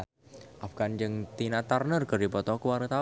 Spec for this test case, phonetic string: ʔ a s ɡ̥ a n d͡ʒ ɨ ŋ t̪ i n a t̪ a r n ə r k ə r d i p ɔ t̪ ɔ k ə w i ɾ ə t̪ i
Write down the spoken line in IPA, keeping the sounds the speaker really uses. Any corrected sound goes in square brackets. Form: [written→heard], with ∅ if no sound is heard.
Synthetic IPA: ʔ a [s→f] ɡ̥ a n d͡ʒ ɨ ŋ t̪ i n a t̪ a r n ə r k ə r d i p ɔ t̪ ɔ k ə w [i→a] ɾ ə t̪ [i→a]